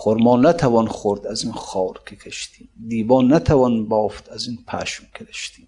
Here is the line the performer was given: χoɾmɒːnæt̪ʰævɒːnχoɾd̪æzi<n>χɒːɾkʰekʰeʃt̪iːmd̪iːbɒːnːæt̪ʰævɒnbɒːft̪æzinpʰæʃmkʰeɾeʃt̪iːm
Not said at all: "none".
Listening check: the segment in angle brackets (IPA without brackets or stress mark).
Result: n